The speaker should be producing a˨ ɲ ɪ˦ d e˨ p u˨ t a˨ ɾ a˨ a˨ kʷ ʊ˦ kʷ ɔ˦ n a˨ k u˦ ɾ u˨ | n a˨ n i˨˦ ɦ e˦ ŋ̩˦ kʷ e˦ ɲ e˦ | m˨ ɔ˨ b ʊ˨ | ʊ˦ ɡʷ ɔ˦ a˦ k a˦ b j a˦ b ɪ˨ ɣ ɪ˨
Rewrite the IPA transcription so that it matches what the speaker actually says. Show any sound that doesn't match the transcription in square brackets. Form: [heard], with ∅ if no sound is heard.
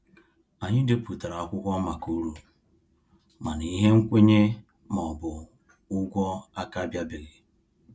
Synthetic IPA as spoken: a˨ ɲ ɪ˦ d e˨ p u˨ t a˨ ɾ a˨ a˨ kʷ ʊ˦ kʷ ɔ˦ [m] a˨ k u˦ ɾ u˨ | [m] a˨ n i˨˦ ɦ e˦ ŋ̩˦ kʷ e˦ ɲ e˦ | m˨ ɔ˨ b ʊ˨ | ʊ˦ ɡʷ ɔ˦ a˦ k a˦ b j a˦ b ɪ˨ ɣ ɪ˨